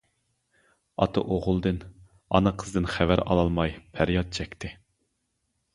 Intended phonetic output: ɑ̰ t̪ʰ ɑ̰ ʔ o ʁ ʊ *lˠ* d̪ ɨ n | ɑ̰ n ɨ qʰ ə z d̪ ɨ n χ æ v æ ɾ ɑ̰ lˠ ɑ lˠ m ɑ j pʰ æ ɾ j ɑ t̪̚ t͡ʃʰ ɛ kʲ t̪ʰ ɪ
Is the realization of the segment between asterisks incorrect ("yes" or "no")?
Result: no